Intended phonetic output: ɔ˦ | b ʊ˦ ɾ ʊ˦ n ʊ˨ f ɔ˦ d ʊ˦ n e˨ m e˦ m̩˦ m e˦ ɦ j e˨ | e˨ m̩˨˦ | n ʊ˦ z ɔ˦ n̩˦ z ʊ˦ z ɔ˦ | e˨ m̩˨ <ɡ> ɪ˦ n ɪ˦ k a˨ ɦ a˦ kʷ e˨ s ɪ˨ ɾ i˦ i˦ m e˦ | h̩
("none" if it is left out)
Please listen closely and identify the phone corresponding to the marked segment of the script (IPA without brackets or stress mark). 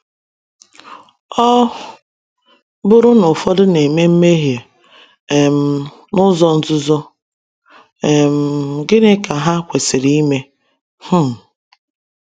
ɡ